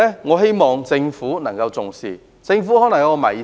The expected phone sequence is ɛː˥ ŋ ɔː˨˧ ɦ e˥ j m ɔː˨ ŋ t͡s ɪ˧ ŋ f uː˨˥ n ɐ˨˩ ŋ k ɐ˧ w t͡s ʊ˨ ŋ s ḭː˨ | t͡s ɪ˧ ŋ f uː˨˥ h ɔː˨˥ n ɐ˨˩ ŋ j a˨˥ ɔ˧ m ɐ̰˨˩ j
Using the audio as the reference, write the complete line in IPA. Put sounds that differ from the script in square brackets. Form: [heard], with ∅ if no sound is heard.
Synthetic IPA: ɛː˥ ŋ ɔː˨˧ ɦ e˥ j m ɔː˨ ŋ t͡s ɪ˧ ŋ f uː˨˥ n ɐ˨˩ ŋ k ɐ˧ w t͡s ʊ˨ ŋ s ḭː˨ | t͡s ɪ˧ ŋ f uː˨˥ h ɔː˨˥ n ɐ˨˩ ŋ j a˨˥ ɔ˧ m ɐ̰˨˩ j